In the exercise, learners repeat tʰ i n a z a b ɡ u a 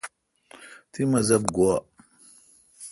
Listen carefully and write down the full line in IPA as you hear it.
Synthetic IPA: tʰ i m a z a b ɡ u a